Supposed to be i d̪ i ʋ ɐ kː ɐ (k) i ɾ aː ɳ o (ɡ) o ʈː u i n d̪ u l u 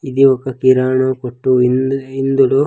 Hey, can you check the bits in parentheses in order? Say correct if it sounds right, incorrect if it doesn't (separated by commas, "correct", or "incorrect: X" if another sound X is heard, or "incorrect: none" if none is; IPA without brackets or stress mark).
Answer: correct, incorrect: k